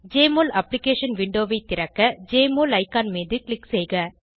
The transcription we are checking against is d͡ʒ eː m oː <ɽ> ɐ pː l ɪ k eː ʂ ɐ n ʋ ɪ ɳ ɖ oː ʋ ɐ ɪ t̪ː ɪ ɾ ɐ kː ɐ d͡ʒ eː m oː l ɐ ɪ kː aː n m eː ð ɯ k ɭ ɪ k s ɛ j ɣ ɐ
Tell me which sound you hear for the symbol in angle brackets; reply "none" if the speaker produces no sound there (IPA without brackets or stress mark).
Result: l